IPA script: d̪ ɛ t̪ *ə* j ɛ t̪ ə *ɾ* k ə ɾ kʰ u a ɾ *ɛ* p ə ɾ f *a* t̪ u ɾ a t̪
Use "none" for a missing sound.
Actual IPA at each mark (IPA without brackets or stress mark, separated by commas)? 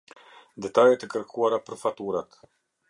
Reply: a, none, a, a